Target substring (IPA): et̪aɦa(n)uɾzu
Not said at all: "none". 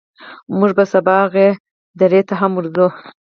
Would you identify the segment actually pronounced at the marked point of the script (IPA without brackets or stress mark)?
m